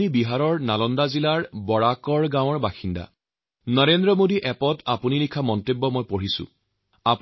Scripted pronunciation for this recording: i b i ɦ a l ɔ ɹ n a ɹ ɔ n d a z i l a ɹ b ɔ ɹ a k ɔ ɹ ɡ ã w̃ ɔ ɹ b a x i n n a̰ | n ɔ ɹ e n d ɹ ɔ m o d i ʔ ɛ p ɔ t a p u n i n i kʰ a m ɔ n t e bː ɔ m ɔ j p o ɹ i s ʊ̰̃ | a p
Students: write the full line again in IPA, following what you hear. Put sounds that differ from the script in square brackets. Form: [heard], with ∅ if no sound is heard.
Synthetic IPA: i b i ɦ a [ɹ] ɔ ɹ n a [l] ɔ n d a z i l a ɹ b ɔ ɹ a k ɔ ɹ ɡ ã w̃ ɔ ɹ b a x i n [d] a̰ | n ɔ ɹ e n d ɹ ɔ m o d i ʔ ɛ p ɔ t a p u n i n i kʰ a m ɔ n t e bː ɔ m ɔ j p o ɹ i s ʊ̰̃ | a p